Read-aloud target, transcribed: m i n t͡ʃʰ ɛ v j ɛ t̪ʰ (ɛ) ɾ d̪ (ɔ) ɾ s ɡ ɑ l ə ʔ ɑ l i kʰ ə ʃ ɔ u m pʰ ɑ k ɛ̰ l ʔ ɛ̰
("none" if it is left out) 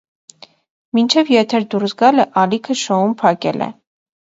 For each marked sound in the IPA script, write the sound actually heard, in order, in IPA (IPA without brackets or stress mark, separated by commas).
ɛ, u